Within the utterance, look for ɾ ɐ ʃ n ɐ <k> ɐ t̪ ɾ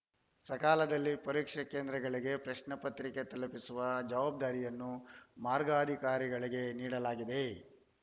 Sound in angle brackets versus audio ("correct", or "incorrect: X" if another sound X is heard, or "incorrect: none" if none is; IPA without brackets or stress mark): incorrect: p